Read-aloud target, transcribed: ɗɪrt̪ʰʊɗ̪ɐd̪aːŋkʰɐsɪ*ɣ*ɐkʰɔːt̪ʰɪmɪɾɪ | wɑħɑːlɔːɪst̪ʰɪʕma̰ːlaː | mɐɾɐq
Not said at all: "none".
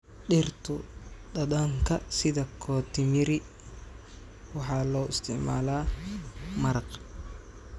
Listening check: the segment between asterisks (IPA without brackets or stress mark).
ð